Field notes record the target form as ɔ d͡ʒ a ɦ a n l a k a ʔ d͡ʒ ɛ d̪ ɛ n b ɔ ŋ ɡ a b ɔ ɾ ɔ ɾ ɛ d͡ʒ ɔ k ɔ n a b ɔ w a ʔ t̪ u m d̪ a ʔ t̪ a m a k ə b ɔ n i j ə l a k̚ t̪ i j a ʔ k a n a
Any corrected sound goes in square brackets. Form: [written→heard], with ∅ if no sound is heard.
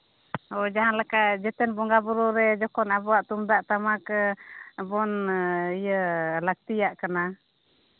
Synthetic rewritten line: ɔ d͡ʒ a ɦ a n l a k a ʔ d͡ʒ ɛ [d̪→t̪] ɛ n b ɔ ŋ ɡ a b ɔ ɾ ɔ ɾ ɛ d͡ʒ ɔ k ɔ n a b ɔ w a ʔ t̪ u m d̪ a ʔ t̪ a m a k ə b ɔ n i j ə l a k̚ t̪ i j a ʔ k a n a